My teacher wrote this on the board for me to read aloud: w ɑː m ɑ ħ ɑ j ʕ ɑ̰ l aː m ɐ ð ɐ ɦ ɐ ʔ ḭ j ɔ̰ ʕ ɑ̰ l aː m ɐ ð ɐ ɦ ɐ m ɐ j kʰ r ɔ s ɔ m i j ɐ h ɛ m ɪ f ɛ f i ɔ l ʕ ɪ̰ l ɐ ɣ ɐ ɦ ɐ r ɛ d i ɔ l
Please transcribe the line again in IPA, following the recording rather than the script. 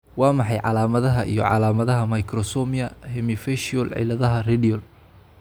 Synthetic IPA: w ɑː m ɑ ħ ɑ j ʕ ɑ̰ l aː m ɐ ð ɐ ɦ ɐ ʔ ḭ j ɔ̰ ʕ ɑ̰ l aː m ɐ ð ɐ ɦ ɐ m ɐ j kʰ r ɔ s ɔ m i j ɐ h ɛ m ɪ f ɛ ʃ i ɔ l ʕ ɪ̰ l ɐ ð ɐ ɦ ɐ r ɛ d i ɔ l